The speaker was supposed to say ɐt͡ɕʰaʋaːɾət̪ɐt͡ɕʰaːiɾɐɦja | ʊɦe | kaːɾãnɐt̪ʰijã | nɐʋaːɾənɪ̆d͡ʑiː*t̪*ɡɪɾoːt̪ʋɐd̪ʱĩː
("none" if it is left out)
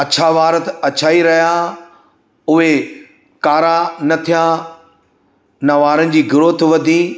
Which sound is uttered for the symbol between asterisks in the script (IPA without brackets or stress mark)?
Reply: none